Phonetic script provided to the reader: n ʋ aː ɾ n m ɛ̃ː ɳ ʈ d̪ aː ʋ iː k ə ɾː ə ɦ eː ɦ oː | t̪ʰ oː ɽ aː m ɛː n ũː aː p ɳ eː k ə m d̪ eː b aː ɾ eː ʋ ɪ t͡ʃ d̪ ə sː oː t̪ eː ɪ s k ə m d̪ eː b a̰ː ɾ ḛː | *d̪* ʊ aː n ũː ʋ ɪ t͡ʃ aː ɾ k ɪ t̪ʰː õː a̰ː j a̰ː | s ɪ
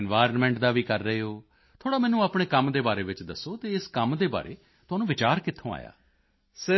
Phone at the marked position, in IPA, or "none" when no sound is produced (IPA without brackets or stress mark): t̪